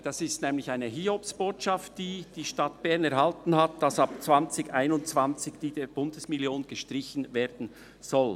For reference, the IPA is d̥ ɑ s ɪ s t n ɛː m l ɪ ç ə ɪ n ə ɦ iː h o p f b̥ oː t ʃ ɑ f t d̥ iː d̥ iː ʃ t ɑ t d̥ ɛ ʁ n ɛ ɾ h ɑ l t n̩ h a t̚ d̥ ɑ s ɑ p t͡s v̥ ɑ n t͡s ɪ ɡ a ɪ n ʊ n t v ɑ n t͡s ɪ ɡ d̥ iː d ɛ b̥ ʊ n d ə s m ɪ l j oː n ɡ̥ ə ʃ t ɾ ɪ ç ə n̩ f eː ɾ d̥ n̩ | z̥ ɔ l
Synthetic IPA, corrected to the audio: d̥ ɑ s ɪ s t n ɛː m l ɪ ç a ɪ n ə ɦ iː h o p s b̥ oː t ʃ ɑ f t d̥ iː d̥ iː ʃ t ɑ t b̥ ɛ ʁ n ɛ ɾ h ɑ l t n̩ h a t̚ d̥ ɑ s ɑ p t͡s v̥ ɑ n t͡s ɪ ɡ a ɪ n ʊ n t͡s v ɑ n t͡s ɪ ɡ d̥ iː d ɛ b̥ ʊ n d ə s m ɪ l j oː n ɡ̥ ə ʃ t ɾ ɪ ç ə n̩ v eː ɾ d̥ n̩ | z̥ ɔ l